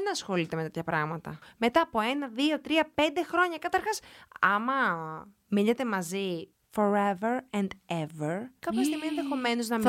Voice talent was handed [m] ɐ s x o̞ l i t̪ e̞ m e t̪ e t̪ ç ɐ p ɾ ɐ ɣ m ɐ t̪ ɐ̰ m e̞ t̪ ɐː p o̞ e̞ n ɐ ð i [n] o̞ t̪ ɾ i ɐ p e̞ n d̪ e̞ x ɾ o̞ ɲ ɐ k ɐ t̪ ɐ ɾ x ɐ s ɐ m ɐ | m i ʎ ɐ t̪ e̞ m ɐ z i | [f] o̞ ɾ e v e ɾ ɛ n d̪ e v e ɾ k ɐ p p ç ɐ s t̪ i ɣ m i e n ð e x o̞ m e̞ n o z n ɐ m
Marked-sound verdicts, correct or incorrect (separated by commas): incorrect, incorrect, correct